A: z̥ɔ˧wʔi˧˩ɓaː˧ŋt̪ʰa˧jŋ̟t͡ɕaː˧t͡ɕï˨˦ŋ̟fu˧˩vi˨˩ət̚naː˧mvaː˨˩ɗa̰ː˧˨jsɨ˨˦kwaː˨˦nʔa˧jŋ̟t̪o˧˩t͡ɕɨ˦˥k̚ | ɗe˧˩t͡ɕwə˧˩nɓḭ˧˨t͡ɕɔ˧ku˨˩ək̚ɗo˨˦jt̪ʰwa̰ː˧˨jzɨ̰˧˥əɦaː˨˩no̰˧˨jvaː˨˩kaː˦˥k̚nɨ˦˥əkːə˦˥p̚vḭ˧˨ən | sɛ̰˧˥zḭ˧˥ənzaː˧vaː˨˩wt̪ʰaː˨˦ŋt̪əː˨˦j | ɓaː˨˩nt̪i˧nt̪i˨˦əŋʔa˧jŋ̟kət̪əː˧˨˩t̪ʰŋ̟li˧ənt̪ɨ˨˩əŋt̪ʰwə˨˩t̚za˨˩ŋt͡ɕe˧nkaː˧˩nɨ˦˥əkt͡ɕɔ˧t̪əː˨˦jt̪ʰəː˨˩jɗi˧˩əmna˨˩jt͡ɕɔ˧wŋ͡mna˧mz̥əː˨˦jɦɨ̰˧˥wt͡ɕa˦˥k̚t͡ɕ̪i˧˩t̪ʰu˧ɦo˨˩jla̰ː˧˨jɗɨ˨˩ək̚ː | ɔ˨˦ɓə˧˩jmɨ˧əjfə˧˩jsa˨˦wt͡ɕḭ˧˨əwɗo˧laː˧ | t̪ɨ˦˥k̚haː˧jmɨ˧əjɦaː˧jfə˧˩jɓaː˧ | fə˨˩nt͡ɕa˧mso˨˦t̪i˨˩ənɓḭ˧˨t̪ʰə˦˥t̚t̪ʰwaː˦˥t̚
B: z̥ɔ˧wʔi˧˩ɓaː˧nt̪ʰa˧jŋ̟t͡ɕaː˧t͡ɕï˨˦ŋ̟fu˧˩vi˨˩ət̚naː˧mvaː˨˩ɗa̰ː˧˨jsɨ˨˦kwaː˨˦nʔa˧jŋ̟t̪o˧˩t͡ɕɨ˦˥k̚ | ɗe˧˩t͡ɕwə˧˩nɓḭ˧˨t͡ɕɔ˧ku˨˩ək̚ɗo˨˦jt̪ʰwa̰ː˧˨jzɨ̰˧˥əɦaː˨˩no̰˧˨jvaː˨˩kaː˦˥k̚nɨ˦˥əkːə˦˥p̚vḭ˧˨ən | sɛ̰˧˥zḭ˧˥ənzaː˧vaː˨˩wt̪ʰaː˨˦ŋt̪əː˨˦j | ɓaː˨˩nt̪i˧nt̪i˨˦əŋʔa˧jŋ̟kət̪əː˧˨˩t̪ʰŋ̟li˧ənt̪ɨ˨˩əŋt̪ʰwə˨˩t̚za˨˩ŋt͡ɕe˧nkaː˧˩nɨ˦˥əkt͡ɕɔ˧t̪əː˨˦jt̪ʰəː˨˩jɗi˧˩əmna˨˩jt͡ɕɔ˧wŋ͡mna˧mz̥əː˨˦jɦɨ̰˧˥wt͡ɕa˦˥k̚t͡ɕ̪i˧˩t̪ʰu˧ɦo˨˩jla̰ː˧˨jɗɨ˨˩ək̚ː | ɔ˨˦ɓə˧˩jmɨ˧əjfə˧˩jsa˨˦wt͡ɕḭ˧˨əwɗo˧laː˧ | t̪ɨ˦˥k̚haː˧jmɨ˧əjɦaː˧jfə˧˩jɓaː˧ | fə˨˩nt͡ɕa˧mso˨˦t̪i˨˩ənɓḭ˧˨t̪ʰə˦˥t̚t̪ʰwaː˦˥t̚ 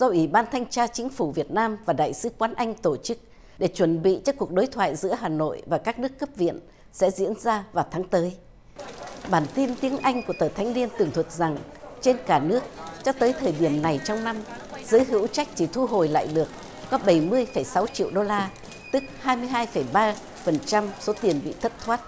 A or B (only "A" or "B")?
B